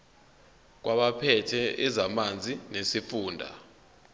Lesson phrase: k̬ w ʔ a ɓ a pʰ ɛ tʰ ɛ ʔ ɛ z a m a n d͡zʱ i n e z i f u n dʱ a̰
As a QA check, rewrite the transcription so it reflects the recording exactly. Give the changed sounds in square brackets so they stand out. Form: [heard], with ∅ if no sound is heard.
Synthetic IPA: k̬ w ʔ a ɓ a pʰ ɛ tʰ ɛ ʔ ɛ z a m a n d͡zʱ i n e [s] i f [uː] n dʱ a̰